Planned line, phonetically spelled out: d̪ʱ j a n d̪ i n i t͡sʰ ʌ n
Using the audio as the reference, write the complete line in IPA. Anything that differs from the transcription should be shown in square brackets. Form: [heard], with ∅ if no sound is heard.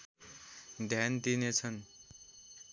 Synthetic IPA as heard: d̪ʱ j a n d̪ i n [e] t͡sʰ ʌ n